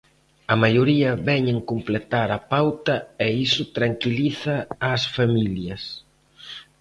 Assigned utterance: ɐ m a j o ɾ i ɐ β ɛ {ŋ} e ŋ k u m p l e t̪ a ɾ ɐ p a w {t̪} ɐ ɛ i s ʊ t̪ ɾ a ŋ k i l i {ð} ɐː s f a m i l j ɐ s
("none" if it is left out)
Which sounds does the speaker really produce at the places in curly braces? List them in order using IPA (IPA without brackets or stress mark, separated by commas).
ɲ, t̪, θ